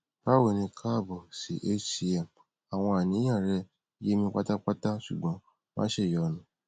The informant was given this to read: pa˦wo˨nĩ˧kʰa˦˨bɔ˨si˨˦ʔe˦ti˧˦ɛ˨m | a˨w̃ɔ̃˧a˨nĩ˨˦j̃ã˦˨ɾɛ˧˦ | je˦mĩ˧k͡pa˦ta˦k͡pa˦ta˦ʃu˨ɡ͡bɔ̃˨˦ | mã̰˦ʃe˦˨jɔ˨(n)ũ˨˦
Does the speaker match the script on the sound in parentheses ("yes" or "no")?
yes